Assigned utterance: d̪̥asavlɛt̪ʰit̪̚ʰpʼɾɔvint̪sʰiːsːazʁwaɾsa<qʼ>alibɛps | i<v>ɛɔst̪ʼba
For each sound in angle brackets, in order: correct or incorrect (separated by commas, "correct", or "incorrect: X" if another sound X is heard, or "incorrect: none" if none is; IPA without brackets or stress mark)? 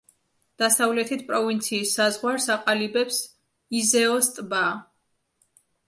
correct, incorrect: z